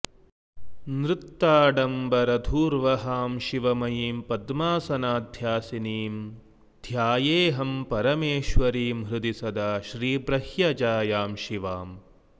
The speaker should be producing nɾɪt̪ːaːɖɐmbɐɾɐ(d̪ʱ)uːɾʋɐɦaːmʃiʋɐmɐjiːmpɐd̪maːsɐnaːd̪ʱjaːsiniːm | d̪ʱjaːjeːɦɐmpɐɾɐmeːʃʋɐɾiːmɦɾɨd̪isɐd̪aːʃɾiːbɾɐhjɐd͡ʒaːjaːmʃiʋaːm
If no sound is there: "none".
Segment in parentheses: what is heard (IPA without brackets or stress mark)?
d̪ʱ